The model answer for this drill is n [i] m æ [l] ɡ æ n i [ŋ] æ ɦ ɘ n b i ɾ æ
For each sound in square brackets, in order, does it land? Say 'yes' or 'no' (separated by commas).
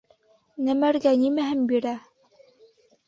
no, no, no